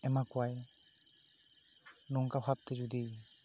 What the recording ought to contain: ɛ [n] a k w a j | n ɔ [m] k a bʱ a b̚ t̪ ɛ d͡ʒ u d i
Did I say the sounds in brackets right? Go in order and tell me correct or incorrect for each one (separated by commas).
incorrect, incorrect